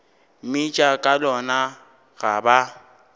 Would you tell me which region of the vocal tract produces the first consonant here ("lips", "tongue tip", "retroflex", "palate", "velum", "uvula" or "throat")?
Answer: lips